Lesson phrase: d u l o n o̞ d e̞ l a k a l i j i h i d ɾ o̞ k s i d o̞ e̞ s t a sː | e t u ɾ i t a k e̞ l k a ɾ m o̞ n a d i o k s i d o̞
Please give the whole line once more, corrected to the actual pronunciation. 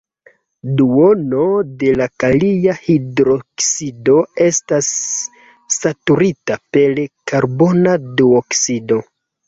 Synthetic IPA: d u o n o̞ d e̞ l a k a l i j a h i d ɾ o̞ k s i d o̞ e̞ s t a sː | a t u ɾ i t a p e̞ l k a ɾ b o̞ n a d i o k s i d o̞